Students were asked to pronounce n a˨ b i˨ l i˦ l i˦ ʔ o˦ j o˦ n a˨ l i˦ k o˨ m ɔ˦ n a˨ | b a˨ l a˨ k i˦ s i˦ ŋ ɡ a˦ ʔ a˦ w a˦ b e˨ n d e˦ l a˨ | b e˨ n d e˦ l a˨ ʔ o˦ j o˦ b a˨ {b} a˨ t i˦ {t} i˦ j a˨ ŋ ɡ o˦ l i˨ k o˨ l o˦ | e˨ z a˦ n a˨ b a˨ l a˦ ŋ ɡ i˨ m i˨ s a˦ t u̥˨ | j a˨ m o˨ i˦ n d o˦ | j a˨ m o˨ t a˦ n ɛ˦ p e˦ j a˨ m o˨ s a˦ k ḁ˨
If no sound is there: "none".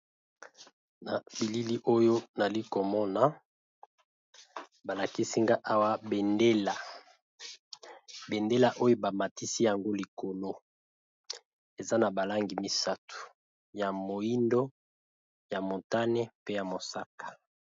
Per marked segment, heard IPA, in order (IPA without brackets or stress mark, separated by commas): m, s